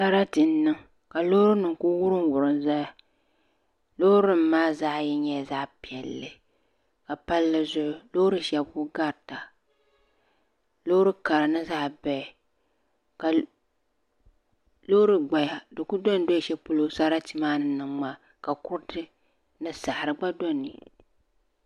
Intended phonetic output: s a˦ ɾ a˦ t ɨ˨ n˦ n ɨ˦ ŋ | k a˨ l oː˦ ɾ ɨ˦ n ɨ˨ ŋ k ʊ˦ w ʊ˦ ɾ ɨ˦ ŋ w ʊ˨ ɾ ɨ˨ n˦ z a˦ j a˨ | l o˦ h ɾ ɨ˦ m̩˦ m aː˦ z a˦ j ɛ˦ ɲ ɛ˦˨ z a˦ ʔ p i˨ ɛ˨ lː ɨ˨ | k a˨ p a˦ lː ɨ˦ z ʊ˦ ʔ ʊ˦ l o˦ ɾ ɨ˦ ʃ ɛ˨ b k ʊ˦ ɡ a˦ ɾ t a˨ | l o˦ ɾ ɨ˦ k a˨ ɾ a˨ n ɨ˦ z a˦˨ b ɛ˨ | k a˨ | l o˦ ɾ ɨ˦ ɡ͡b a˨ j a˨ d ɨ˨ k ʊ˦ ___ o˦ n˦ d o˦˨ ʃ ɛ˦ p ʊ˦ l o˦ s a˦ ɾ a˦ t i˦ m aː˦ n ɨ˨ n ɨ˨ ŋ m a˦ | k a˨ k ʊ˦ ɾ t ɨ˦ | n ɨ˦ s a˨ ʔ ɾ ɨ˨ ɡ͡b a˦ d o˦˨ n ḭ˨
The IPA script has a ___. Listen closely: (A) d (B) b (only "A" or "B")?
A